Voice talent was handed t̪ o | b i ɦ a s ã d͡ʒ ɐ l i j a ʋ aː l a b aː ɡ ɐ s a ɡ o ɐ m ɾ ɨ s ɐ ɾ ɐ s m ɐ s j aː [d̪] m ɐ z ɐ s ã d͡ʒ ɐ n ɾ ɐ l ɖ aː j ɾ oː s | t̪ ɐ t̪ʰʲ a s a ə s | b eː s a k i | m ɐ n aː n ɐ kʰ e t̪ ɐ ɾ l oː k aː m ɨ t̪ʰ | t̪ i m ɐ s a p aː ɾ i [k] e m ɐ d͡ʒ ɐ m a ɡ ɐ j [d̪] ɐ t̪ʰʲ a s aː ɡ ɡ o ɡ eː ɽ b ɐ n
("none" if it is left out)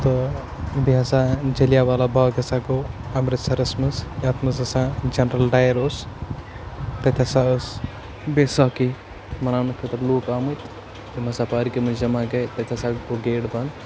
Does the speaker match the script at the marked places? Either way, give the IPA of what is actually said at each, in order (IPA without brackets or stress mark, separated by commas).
t̪, k, t̪